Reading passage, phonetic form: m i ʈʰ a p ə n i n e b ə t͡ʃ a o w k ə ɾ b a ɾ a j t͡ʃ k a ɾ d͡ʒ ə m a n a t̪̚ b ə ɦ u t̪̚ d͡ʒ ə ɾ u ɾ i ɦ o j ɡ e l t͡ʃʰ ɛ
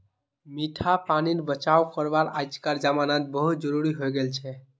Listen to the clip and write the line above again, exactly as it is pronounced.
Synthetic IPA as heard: m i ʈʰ a p a n i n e b ə t͡ʃ a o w k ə ɾ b a ɾ a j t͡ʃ k a ɾ d͡ʒ a m a n a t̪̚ b ə ɦ u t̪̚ d͡ʒ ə ɾ u ɾ i ɦ o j ɡ e l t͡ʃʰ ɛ